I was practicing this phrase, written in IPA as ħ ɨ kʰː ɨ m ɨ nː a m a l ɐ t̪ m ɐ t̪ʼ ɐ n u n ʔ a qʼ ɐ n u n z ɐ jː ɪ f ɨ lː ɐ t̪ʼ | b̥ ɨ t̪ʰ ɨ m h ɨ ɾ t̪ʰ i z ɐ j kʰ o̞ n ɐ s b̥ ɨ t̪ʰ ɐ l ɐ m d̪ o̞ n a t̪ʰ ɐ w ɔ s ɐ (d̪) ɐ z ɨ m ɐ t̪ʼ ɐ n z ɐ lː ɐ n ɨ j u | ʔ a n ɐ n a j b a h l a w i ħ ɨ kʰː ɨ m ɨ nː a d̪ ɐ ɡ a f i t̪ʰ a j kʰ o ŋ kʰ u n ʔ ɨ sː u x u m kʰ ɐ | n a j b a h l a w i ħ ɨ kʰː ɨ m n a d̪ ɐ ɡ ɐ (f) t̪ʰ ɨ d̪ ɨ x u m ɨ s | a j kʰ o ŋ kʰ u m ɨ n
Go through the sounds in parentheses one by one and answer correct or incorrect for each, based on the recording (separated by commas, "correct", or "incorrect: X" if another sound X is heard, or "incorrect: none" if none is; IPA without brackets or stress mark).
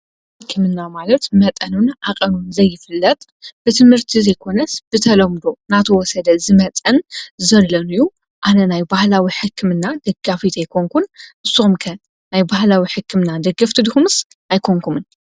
correct, correct